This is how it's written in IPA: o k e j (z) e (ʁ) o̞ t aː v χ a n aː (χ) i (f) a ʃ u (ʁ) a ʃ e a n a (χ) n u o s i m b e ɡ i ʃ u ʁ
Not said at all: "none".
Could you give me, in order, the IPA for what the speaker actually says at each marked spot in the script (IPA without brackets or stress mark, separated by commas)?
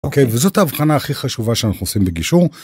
v, z, χ, χ, v, χ